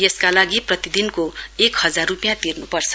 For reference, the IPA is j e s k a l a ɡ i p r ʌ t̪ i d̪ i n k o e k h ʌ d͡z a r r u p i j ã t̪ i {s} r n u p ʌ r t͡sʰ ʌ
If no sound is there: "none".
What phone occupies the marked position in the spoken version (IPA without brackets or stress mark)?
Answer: none